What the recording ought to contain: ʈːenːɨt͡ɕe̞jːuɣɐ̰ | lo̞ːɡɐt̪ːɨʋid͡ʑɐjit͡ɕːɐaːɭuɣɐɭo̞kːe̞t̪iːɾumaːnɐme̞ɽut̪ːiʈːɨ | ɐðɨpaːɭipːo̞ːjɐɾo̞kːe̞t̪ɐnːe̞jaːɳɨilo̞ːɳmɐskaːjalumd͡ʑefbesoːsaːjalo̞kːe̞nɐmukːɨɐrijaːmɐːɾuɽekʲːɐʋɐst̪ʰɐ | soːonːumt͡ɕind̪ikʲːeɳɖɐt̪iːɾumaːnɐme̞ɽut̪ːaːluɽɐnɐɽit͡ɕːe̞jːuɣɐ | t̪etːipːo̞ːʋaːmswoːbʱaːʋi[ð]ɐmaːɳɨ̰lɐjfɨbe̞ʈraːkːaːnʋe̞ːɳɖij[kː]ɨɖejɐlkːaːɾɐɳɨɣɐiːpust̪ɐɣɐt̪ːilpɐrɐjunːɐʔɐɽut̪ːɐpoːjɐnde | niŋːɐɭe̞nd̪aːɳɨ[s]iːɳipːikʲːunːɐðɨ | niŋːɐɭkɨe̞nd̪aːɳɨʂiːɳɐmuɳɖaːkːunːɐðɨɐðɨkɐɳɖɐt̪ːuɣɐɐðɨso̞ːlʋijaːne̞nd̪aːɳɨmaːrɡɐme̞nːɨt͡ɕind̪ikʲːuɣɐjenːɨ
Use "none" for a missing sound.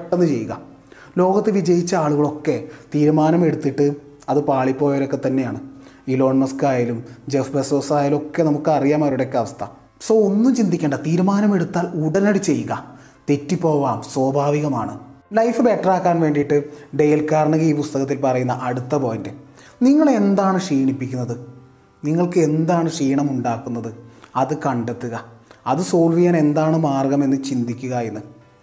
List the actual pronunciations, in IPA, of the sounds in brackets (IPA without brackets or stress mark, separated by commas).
ɣ, ʈː, ʂ